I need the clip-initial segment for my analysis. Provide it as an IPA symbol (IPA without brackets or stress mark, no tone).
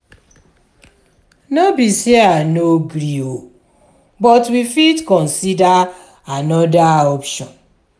n